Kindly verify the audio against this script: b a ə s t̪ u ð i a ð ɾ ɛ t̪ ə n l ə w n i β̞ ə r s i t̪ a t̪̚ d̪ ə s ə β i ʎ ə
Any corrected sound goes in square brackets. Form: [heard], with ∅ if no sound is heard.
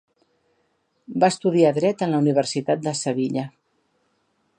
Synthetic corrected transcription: b a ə s t̪ u ð i a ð ɾ ɛ t̪ ə n l ə [u] n i β̞ ə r s i t̪ a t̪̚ d̪ ə s ə β i ʎ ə